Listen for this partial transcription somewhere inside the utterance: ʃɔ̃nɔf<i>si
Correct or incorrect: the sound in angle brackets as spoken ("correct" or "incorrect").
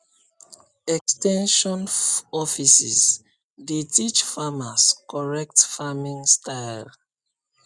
correct